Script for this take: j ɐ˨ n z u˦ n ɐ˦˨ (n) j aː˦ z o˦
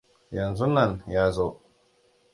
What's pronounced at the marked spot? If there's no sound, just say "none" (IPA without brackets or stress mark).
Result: n